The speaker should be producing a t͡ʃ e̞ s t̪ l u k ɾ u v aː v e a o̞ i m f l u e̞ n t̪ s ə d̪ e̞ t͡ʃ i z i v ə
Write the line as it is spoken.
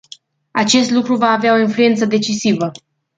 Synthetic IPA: a t͡ʃ e̞ s t̪ l u k ɾ u v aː v e a o̞ i n f l u e̞ n t̪ s ə d̪ e̞ t͡ʃ i s i v ə